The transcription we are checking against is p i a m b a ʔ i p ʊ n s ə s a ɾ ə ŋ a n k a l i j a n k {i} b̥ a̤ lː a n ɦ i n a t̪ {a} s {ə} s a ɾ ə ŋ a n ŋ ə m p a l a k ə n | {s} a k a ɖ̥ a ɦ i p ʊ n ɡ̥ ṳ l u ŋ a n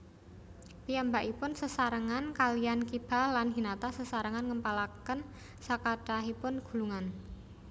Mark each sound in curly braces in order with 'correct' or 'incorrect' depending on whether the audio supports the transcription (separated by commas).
correct, correct, correct, correct